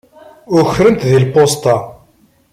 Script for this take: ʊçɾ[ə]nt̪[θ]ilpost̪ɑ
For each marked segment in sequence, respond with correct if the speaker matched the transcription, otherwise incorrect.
correct, incorrect: ð

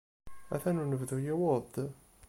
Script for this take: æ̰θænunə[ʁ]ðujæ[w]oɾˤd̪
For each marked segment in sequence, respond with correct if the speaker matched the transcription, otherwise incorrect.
incorrect: v, correct

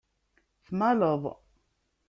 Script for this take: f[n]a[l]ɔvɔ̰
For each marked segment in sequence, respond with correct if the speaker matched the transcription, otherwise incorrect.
incorrect: m, correct

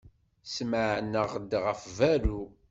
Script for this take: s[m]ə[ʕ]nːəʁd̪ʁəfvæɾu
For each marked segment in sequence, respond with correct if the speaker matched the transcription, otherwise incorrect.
correct, correct

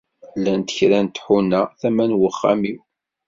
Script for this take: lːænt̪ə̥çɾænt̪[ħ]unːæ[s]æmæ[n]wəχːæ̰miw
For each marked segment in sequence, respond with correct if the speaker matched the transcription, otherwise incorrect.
correct, incorrect: θ, correct

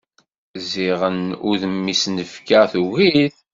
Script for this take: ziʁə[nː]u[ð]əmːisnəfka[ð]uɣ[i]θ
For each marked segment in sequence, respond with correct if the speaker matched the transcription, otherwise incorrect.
incorrect: n, correct, incorrect: θ, correct

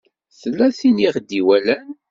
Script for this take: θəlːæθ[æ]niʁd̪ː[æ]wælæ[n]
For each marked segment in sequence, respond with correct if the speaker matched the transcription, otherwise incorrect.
incorrect: i, incorrect: i, correct

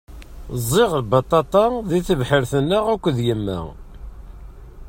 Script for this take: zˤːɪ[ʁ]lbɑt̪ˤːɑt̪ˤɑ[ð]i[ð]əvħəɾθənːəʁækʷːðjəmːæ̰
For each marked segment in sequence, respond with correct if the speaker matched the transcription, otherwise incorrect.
correct, correct, incorrect: θ

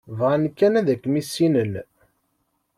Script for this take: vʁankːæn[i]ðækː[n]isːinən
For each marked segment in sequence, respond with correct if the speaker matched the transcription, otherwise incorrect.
incorrect: æ, incorrect: m

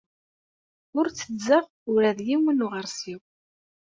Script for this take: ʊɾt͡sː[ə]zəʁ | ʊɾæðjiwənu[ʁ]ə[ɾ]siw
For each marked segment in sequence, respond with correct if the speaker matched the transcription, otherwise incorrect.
correct, correct, correct

